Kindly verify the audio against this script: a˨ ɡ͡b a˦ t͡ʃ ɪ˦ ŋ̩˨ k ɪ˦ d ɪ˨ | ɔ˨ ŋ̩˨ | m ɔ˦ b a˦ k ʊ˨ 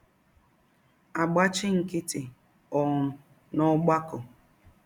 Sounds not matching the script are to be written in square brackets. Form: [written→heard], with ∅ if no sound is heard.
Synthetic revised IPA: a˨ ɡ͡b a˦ t͡ʃ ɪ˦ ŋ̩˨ k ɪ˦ [d→t] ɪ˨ | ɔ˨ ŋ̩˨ | [m→n] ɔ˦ [b→ɡ͡b] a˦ k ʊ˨